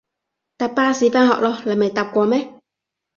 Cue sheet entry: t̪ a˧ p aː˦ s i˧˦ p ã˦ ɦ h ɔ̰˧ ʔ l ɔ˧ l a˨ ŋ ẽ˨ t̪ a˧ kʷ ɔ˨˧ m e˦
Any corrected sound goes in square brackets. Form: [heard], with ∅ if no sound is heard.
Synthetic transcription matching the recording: t̪ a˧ p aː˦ s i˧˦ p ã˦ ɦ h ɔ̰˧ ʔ l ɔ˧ l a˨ [m] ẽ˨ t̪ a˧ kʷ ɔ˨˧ m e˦